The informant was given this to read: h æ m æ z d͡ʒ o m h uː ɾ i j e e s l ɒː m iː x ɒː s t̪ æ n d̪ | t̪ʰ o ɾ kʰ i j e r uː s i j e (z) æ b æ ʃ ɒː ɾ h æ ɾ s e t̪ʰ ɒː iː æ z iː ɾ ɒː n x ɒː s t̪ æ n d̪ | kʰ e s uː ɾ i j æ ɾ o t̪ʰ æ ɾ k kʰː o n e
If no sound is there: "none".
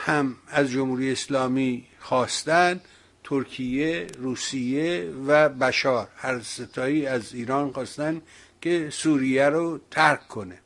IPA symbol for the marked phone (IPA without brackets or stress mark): v